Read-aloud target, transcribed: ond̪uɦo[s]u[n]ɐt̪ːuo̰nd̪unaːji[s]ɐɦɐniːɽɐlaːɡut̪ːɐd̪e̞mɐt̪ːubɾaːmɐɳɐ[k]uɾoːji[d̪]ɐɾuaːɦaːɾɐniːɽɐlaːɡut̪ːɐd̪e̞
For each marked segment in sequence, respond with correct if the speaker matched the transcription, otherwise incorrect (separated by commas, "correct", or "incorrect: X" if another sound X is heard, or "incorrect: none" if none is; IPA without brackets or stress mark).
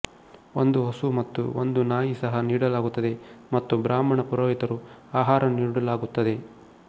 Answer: correct, incorrect: m, correct, incorrect: p, incorrect: t̪